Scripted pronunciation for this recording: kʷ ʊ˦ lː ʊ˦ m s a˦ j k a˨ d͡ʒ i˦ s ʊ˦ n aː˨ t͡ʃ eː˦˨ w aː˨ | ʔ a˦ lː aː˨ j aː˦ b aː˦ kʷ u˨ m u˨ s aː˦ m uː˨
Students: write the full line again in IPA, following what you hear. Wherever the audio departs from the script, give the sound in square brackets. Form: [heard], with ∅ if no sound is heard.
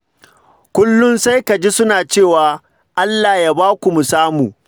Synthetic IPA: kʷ ʊ˦ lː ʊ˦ [n] s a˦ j k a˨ d͡ʒ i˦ s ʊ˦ n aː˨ t͡ʃ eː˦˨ w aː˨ | ʔ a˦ lː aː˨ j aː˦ b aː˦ kʷ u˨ m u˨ s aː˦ m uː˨